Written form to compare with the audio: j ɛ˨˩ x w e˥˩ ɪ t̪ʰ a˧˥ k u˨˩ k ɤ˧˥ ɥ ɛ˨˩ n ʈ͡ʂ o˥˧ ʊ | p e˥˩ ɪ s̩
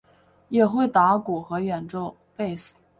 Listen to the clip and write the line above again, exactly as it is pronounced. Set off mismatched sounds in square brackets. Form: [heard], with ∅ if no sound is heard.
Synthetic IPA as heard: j ɛ˨˩ x w e˥˩ ɪ [t̪] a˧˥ k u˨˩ [x] ɤ˧˥ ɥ ɛ˨˩ n ʈ͡ʂ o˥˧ ʊ | p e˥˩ ɪ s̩